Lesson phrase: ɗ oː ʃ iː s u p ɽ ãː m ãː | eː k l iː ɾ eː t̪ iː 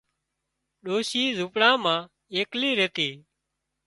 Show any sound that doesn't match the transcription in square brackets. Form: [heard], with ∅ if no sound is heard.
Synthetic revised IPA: ɗ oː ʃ iː [z] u p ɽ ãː m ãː | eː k l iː ɾ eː t̪ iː